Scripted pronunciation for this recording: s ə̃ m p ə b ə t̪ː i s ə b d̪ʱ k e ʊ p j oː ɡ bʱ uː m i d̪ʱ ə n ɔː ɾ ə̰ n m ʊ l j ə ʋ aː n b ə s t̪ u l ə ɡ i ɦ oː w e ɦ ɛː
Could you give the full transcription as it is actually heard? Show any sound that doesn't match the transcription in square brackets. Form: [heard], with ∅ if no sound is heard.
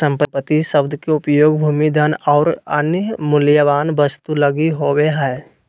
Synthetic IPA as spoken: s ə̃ m p ə [p] ə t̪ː i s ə b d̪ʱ k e ʊ p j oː ɡ bʱ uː m i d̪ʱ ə n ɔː ɾ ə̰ n m ʊ l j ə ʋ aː n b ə s t̪ u l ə ɡ i ɦ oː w e ɦ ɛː